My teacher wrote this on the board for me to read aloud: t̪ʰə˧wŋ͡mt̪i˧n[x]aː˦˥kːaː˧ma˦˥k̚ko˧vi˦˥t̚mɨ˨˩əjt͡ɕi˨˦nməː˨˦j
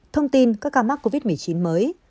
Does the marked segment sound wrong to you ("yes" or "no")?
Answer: yes